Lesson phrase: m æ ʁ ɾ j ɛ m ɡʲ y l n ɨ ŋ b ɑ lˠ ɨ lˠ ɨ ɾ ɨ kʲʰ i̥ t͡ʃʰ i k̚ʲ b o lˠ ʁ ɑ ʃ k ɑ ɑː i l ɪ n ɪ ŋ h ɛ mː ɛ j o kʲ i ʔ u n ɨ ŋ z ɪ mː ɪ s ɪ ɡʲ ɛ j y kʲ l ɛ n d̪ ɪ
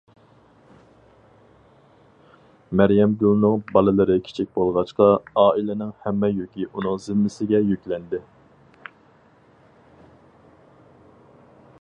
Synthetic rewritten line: m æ ɾ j ɛ m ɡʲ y l n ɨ ŋ b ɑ lˠ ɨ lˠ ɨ ɾ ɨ kʲʰ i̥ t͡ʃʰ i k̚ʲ b o lˠ ʁ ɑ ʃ q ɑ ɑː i l ɪ n ɪ ŋ h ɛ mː ɛ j o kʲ i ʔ u n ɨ ŋ z ɪ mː ɪ s ɪ ɡʲ ɛ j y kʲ l ɛ n d̪ ɪ